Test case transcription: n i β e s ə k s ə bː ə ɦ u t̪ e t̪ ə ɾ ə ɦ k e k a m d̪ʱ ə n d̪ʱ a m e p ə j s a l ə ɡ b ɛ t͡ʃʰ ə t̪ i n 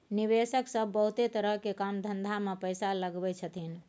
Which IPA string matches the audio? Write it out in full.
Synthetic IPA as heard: n i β e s ə k s ə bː ə ɦ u t̪ e t̪ ə ɾ ə ɦ k e k a m d̪ʱ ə n d̪ʱ a m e p ə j s a l ə ɡ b ɛ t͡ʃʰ ə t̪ i n